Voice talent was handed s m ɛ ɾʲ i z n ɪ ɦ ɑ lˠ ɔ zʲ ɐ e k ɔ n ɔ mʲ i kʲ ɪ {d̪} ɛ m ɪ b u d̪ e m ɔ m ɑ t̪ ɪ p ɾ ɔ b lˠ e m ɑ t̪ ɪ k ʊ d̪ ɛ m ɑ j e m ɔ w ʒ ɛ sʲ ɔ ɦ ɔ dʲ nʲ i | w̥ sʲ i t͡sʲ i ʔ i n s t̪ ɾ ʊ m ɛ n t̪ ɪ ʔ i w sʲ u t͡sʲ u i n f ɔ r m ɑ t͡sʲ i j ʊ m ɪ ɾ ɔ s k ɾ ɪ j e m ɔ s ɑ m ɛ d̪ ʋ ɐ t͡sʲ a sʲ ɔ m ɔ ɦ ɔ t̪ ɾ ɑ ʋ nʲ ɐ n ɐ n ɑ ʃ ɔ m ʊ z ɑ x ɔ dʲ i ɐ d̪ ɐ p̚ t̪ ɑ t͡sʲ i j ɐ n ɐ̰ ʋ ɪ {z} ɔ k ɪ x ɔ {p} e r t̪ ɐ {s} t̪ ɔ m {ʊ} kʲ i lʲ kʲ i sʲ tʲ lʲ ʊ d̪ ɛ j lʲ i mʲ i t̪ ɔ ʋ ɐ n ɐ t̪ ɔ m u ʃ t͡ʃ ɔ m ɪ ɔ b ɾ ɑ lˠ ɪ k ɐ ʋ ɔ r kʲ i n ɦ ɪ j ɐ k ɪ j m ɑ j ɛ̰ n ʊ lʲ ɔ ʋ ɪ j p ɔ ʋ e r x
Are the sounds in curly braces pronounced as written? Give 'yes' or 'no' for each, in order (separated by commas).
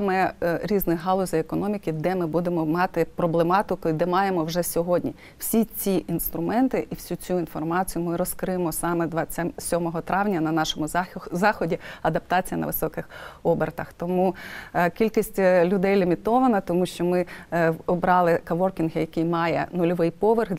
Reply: yes, no, no, no, no